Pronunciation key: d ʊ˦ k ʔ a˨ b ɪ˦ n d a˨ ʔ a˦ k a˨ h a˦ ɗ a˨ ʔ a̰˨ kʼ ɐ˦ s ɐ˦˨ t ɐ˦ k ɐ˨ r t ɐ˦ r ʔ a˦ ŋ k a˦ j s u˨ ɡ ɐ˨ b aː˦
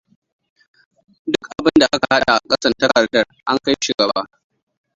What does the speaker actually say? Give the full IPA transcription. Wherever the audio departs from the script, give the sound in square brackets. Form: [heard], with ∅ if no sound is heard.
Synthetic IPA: d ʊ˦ k ʔ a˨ b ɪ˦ n d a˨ ʔ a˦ k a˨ h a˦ ɗ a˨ ʔ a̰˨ kʼ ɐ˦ s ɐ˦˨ t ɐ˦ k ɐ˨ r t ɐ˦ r ʔ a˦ ŋ k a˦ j [ʃ] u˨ ɡ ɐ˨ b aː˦